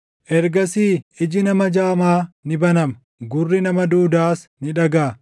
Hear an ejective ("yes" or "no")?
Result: no